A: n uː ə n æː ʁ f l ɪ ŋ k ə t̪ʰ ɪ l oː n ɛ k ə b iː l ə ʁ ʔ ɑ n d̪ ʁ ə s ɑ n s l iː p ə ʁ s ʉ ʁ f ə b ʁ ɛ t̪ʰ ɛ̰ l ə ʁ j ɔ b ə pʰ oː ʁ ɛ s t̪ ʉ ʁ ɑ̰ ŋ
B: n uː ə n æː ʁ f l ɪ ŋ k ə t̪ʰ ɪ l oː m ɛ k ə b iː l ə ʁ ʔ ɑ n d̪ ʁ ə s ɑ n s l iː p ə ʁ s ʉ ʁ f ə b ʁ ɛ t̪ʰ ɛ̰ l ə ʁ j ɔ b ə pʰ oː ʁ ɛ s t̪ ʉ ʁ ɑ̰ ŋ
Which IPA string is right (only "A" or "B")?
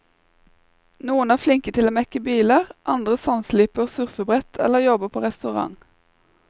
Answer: B